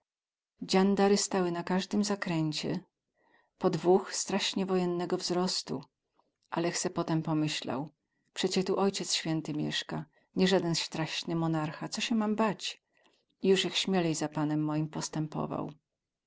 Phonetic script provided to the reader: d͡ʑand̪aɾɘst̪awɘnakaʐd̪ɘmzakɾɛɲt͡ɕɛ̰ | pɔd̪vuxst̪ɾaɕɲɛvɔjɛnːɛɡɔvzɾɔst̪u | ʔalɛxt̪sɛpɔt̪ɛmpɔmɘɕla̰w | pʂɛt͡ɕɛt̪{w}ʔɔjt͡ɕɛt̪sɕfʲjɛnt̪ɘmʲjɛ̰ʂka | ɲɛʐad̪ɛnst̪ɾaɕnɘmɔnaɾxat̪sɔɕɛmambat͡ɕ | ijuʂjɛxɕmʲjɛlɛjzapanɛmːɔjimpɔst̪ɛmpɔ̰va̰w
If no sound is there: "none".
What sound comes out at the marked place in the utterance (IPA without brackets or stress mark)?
u